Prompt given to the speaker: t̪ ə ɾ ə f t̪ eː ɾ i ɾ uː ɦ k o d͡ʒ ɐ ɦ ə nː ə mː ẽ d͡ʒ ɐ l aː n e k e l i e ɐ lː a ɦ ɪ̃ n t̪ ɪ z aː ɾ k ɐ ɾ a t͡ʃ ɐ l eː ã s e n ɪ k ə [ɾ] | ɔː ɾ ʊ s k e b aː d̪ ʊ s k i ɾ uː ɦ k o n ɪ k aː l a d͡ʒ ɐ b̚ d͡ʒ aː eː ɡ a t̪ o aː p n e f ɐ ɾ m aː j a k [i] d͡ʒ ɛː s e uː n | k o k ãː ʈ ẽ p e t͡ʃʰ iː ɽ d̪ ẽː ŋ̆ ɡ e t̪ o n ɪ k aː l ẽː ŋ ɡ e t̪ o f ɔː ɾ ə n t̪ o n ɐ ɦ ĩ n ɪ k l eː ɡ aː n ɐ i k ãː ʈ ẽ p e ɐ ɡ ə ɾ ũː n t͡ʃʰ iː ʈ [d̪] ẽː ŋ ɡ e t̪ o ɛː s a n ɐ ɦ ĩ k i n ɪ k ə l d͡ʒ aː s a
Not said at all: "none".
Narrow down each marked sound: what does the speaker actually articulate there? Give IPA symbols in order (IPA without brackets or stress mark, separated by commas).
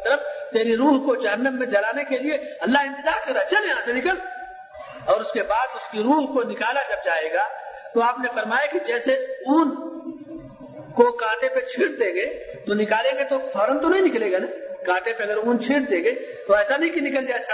l, i, d̪